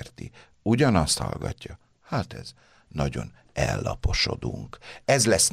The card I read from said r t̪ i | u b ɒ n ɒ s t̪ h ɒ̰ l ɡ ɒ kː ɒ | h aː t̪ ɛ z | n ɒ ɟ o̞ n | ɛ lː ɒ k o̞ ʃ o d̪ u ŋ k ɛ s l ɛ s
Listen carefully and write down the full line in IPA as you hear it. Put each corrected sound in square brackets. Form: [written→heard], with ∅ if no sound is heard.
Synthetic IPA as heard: r t̪ i | u [b→ɟ] ɒ n ɒ s t̪ h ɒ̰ l ɡ ɒ [kː→cː] ɒ | h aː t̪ ɛ z | n ɒ ɟ o̞ n | ɛ lː ɒ [k→p] o̞ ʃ o d̪ u ŋ k ɛ [s→z] l ɛ s